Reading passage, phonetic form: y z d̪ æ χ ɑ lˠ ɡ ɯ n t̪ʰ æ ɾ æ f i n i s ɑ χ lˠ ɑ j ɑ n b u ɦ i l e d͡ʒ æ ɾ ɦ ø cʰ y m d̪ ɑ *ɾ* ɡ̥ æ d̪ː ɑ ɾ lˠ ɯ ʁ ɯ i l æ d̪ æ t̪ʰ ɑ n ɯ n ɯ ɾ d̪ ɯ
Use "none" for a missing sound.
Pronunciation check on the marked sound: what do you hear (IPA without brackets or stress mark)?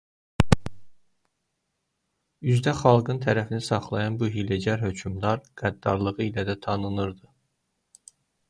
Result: ɾ